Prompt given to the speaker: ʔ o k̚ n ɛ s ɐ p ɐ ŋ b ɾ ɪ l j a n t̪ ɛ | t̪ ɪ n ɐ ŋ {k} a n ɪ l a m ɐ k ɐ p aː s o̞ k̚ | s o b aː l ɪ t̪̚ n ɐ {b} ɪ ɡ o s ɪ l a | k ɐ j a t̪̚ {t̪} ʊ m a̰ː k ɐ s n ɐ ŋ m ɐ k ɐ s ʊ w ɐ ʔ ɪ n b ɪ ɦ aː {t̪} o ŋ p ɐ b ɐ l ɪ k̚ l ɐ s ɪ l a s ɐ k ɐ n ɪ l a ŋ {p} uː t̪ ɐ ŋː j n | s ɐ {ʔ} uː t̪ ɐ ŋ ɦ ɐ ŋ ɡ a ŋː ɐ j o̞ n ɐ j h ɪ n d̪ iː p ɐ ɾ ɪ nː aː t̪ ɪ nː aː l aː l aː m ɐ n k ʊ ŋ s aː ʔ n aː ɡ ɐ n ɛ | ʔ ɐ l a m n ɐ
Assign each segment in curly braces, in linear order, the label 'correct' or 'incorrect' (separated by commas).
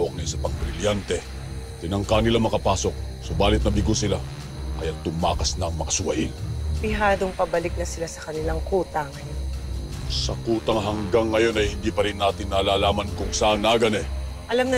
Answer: correct, correct, correct, incorrect, incorrect, incorrect